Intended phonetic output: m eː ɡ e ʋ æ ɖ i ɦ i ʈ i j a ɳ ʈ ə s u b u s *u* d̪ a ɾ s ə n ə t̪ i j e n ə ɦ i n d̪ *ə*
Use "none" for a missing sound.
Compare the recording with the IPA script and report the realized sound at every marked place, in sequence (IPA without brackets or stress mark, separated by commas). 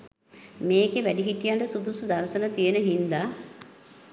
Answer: u, a